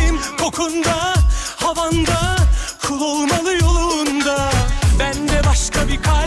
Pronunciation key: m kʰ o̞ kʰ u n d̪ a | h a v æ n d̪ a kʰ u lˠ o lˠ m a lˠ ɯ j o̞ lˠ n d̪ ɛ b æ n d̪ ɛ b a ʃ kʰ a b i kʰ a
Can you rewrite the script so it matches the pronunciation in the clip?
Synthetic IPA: m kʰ o̞ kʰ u n d̪ a | h a v a n d̪ a kʰ u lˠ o lˠ m a lˠ ɯ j o̞ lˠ n d̪ a b æ n d̪ ɛ b a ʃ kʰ a b i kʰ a